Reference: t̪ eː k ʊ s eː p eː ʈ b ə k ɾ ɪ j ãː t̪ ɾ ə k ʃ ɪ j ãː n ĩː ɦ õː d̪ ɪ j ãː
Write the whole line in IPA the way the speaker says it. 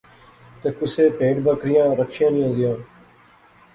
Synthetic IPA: t̪ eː k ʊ s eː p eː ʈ b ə k ɾ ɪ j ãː ɾ ə k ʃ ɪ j ãː n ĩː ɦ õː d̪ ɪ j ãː